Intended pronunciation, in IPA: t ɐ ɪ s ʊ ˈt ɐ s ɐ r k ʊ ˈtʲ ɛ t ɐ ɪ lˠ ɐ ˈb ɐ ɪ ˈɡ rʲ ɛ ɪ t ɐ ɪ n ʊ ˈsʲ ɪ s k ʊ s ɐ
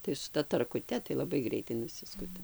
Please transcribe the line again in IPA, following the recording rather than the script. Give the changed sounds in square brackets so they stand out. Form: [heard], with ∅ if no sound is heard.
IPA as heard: t ɐ ɪ s ʊ ˈt ɐ [t] ɐ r k ʊ ˈtʲ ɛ t ɐ ɪ lˠ ɐ ˈb ɐ ɪ ˈɡ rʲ ɛ ɪ t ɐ ɪ n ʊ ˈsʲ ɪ s k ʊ [t] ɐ